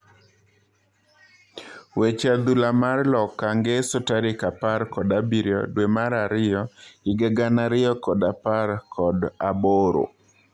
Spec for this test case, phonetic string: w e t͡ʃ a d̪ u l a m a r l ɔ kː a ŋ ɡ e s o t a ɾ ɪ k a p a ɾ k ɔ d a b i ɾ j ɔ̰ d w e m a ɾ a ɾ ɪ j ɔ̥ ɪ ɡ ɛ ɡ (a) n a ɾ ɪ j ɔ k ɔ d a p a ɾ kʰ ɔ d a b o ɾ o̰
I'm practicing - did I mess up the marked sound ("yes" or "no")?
no